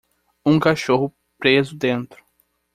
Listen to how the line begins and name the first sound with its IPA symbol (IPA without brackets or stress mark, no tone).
ũ